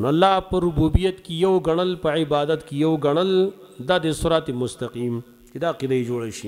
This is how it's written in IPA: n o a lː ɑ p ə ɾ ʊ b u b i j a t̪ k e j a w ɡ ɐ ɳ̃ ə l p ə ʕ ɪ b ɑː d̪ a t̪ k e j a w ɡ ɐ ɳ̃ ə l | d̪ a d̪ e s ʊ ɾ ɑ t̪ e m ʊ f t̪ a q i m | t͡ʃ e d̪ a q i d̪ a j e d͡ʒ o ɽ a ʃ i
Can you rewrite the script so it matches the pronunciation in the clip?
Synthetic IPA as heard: n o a lː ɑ p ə ɾ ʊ b u b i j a t̪ k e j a w ɡ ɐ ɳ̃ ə l p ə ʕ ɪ b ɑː d̪ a t̪ k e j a w ɡ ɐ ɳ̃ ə l | d̪ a d̪ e s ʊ ɾ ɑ t̪ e m ʊ s t̪ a q i m | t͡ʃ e d̪ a q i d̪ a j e d͡ʒ o ɽ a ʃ i

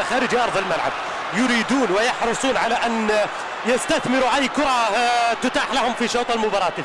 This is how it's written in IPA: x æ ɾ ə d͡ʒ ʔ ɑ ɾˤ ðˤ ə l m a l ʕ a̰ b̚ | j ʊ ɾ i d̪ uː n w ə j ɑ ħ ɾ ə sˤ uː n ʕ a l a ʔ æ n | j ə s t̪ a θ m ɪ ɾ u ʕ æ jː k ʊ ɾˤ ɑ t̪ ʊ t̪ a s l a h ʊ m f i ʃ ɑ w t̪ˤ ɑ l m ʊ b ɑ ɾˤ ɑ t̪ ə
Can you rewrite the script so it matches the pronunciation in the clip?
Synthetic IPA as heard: x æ ɾ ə d͡ʒ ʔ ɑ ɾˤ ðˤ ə l m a l ʕ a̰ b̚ | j ʊ ɾ i d̪ uː n w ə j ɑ ħ ɾ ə sˤ uː n ʕ a l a ʔ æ n | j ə s t̪ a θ m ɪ ɾ u ʕ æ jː k ʊ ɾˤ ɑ t̪ ʊ t̪ a ħ l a h ʊ m f i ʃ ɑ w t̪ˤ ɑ l m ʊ b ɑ ɾˤ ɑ t̪ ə

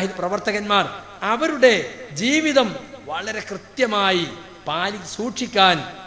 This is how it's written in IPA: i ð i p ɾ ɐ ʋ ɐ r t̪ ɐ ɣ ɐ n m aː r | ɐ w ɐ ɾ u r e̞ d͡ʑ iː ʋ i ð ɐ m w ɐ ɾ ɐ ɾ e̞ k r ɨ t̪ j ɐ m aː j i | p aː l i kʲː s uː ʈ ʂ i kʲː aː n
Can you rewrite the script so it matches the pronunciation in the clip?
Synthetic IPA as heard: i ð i p r ɐ ʋ ɐ r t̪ ɐ ɣ ɐ n m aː r | ɐ ʋ ɐ ɾ u ɽ e̞ d͡ʑ iː ʋ i ð ɐ m ʋ ɐ ɭ ɐ ɾ e̞ k r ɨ t̪ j ɐ m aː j i | p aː l i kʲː s uː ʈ ʂ i kʲː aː n

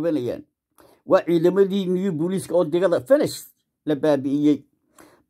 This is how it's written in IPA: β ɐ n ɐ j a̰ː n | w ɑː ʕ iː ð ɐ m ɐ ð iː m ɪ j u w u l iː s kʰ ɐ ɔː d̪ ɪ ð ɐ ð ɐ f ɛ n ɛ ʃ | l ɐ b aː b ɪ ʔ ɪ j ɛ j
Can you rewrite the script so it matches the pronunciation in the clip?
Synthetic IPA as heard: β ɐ n ɐ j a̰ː n | w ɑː ʕ iː ð ɐ m ɐ ð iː m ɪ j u b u l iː s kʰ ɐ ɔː d̪ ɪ ɣ ɐ ð ɐ f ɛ n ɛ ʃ | l ɐ b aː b ɪ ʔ ɪ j ɛ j

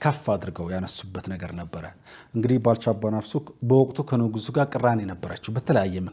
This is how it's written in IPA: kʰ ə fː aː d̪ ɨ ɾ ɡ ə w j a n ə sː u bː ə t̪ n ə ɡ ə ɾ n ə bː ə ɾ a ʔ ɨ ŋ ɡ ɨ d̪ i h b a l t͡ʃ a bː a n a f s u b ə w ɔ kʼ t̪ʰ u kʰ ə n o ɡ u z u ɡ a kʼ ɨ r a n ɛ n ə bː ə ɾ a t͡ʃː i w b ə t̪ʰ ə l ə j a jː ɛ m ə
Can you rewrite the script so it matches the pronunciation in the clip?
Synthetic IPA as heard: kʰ ə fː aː d̪ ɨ ɾ ɡ ə w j a n ə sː u bː ə t̪ n ə ɡ ə ɾ n ə bː ə ɾ ə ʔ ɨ ŋ ɡ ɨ d̪ i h b a l t͡ʃ a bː a n a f s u b ə w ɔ kʼ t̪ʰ u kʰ ə n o ɡ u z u ɡ a kʼ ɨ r a n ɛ n ə bː ə ɾ a t͡ʃː ɛ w b ə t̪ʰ ə l ə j a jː ɛ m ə

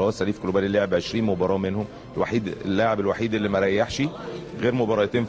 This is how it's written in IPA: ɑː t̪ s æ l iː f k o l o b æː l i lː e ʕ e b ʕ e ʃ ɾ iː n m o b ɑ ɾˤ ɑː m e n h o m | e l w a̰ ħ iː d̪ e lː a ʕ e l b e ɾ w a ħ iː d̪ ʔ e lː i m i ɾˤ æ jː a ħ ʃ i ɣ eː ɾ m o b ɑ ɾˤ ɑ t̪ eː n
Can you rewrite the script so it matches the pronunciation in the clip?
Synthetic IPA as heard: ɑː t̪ s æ l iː f k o l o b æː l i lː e ʕ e b ʕ e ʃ ɾ iː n m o b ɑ ɾˤ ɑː m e n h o m | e l w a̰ ħ iː d̪ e lː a ʕ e b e l w a ħ iː d̪ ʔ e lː i m æ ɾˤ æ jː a ħ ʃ i ɣ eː ɾ m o b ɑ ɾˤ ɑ t̪ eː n

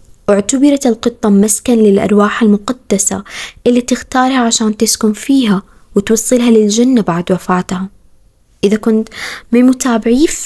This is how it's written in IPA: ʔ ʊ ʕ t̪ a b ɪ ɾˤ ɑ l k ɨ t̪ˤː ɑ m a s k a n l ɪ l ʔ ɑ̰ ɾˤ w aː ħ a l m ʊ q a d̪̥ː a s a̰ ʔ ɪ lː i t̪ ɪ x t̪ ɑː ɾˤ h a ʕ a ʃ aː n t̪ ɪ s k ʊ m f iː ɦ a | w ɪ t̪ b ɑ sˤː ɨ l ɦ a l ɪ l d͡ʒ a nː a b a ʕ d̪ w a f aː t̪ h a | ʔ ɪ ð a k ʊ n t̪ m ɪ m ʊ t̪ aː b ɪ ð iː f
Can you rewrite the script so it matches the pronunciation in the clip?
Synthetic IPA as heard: ʔ ʊ ʕ t̪ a b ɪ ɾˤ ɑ l q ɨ t̪ˤː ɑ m a s k a n l ɪ l ʔ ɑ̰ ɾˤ w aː ħ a l m ʊ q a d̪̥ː a s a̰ ʔ ɪ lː i t̪ ɪ x t̪ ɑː ɾˤ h a ʕ a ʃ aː n t̪ ɪ s k ʊ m f iː ɦ a | w ɪ t̪ w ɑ sˤː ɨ l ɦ a l ɪ l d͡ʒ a nː a b a ʕ d̪ w a f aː t̪ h a | ʔ ɪ ð a k ʊ n t̪ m ɪ m ʊ t̪ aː b ɪ ʕ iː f

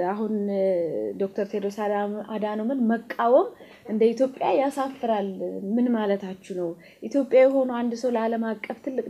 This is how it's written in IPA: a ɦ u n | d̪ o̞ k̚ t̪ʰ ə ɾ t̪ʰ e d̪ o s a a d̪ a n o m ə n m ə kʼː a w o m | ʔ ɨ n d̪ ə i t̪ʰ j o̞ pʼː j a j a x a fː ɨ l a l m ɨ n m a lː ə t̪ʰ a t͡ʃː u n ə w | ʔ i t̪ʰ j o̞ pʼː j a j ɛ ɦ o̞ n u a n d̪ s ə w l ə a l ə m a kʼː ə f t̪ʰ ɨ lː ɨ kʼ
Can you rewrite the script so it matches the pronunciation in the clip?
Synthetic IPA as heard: a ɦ u n | d̪ o̞ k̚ t̪ʰ ə ɾ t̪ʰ e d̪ o s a a d̪ a n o m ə n m ə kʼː a w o m | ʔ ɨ n d̪ ə i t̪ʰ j o̞ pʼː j a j a s a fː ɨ ɾ a l m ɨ n m a l ə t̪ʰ a t͡ʃː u n ə w | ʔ i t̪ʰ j o̞ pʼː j a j ɛ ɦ o̞ n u a n d̪ s ə w l ə a l ə m a kʼː ə f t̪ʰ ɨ lː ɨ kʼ

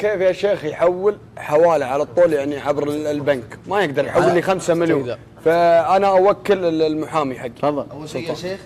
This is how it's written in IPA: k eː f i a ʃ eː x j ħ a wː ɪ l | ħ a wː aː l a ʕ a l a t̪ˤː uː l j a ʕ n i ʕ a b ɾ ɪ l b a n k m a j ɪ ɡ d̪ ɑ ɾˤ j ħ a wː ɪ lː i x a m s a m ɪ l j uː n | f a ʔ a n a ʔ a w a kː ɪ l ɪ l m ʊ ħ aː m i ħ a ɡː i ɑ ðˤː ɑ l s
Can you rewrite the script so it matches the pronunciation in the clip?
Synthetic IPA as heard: k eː f j a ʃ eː x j ħ a wː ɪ l | ħ a w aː l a ʕ a l a t̪ˤː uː l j a ʕ n i ʕ a b ɾ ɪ l b a n k m a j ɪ ɡ d̪ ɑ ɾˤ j ħ a wː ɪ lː i x a m s a m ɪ l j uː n | f a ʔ a n a ʔ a w a kː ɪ l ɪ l m ʊ ħ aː m i ħ a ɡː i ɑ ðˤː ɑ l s

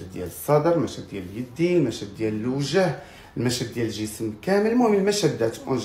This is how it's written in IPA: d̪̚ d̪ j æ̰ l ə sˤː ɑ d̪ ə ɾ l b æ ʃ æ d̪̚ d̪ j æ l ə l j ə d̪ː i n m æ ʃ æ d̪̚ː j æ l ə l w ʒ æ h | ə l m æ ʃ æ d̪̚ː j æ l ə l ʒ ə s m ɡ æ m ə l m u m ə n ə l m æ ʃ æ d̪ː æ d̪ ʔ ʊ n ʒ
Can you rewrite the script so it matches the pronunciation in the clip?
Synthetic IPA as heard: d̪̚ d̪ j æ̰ l ə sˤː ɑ d̪ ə ɾ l m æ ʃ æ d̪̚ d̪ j æ l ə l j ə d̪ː i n m æ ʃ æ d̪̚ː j æ l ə l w ʒ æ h | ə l m æ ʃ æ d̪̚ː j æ l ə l ʒ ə s m k æ m ə l m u m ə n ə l m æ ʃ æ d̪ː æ t̪ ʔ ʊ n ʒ

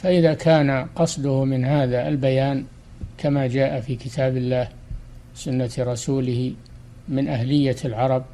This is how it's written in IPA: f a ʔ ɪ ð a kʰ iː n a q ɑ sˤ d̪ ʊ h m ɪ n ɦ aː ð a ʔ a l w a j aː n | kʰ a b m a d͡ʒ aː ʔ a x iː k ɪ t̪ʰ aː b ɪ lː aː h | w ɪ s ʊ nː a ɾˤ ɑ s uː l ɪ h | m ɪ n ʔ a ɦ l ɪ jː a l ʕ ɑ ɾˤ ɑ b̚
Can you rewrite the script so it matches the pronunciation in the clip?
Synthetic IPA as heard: f a ʔ ɪ ð a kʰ aː n a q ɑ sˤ d̪ ʊ h m ɪ n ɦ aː ð a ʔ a l b a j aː n | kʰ a m a d͡ʒ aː ʔ a f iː k ɪ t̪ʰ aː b ɪ lː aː h | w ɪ s ʊ nː a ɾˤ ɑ s uː l ɪ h | m ɪ n ʔ a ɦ l ɪ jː a l ʕ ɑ ɾˤ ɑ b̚

